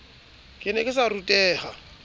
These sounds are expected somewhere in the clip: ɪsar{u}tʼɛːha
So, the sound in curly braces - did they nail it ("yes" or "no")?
yes